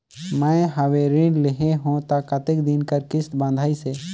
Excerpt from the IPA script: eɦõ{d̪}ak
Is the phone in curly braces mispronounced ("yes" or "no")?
yes